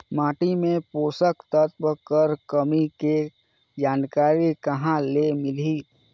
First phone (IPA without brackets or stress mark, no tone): m